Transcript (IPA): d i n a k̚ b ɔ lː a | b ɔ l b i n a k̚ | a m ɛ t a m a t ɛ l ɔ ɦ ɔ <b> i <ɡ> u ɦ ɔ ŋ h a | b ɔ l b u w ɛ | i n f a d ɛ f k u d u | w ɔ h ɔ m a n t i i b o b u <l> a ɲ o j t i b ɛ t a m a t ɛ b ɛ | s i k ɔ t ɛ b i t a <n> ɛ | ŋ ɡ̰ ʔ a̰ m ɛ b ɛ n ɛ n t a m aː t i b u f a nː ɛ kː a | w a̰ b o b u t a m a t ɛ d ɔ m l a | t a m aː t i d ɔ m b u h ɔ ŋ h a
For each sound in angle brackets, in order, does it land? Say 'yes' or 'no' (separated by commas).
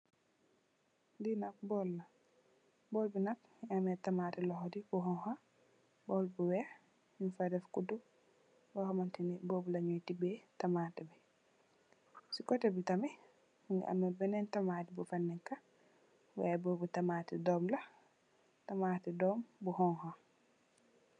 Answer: no, no, yes, no